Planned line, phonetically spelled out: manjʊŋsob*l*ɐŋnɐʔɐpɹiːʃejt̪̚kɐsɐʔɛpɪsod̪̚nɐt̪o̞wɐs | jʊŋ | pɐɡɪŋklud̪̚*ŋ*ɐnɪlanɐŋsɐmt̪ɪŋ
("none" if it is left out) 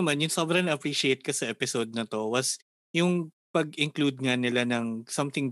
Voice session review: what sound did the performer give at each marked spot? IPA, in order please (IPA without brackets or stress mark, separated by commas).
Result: ɾ, ŋ